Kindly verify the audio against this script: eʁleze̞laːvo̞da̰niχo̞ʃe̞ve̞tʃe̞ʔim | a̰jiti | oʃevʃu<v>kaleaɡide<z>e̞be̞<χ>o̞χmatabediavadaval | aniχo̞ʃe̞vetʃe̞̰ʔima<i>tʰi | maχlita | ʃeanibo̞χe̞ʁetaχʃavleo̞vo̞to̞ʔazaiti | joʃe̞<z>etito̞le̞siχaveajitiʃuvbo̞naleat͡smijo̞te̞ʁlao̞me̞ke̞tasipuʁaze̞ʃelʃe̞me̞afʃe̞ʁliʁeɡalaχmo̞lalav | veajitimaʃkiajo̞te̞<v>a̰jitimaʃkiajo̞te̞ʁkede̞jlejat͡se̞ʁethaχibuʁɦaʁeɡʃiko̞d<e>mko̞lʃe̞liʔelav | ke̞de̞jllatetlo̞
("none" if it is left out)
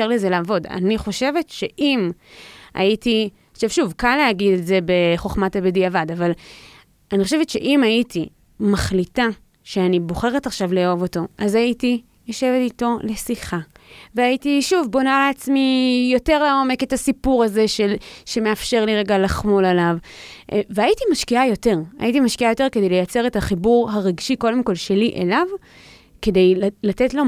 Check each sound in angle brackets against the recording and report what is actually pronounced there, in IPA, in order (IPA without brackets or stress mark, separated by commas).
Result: v, z, χ, i, v, ʁ, e